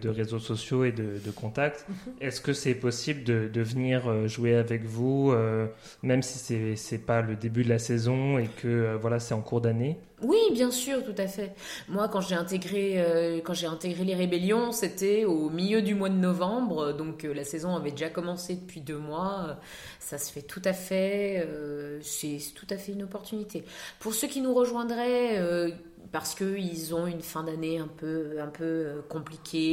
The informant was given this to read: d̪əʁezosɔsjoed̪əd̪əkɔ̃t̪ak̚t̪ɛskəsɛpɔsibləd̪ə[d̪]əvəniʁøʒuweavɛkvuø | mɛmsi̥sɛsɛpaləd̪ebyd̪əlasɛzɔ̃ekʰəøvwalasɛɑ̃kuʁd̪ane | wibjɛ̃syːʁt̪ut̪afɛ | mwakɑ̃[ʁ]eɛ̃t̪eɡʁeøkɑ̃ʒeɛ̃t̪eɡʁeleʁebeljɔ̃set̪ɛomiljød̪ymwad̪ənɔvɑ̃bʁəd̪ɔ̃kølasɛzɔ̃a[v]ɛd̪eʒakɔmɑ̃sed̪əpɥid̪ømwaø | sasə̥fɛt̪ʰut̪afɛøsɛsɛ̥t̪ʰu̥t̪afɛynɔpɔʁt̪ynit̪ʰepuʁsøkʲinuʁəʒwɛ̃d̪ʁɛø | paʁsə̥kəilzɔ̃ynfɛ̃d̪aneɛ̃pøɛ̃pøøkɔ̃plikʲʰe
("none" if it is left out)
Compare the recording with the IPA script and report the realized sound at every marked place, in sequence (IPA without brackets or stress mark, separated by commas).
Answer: d̪, ʒ, v